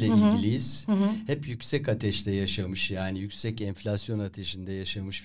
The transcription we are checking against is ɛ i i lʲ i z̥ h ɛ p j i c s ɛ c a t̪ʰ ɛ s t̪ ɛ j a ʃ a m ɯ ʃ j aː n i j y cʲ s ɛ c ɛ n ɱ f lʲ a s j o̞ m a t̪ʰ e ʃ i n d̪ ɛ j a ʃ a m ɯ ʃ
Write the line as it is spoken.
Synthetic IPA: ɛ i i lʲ i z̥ h ɛ p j y c s ɛ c a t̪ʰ ɛ ʃ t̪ ɛ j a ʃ a m ɯ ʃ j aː n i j y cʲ s ɛ c ɛ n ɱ f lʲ a s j o̞ n a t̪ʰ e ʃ i n d̪ ɛ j a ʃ a m ɯ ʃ